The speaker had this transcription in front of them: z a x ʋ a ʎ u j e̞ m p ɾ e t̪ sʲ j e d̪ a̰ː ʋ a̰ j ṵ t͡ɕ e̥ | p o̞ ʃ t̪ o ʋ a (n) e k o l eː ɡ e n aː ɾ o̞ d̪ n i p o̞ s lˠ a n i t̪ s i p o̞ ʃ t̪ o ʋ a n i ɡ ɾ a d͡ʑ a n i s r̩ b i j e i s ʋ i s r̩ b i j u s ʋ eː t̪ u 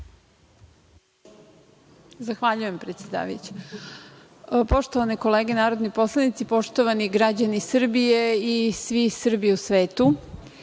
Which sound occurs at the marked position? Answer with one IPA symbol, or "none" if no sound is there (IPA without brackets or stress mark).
n